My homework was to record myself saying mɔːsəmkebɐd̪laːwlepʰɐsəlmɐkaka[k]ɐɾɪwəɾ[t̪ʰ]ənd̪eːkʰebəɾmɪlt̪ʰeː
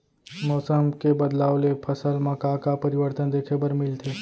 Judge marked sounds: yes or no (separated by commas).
no, no